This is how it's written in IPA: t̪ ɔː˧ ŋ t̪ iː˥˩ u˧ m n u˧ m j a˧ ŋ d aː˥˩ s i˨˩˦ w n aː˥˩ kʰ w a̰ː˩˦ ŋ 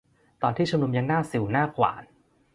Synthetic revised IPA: t̪ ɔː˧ n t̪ iː˥˩ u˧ m n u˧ m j a˧ ŋ n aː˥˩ s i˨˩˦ w n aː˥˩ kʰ w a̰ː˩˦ n